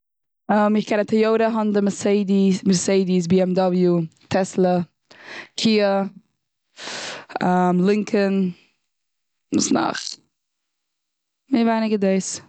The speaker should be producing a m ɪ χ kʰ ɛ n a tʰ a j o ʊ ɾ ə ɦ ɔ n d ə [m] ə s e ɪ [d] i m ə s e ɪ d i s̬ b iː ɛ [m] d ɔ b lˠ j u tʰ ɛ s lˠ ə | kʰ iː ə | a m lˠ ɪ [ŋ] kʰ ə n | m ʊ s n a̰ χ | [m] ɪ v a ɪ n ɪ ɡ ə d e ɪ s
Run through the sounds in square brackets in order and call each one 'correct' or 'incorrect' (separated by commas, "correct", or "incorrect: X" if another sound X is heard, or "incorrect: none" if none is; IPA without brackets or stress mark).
correct, correct, correct, correct, correct